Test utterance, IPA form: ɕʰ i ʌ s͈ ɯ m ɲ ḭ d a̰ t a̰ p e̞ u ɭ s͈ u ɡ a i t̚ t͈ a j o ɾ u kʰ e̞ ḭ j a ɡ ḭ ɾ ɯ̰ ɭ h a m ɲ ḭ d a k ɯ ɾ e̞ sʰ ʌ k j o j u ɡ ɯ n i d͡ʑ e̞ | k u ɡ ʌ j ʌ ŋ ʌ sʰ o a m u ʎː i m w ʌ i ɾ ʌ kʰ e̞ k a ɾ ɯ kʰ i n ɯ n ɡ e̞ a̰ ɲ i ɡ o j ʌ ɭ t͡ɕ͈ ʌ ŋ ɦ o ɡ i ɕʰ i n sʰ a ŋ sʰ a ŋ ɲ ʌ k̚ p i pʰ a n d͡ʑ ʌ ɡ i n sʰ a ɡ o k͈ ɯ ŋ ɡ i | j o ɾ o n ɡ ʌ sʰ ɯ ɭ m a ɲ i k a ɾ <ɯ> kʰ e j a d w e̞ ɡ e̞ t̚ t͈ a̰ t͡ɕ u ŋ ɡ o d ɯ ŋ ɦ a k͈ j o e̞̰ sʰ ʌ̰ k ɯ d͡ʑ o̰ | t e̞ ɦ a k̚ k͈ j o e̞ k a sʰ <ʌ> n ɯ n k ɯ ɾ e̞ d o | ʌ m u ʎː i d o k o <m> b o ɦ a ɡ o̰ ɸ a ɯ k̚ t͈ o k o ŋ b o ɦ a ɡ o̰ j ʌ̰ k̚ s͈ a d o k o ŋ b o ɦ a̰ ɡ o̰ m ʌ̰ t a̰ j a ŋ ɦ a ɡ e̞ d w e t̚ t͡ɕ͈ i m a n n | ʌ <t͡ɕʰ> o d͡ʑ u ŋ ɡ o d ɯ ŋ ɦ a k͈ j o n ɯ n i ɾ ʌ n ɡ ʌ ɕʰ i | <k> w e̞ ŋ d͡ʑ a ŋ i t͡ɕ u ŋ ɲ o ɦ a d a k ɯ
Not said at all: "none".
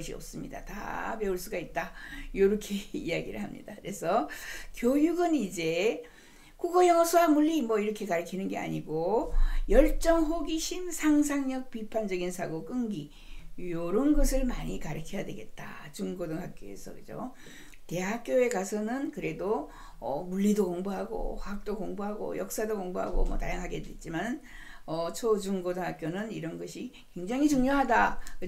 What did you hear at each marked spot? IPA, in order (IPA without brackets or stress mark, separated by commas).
ɯ, ʌ, ŋ, t͡ɕʰ, k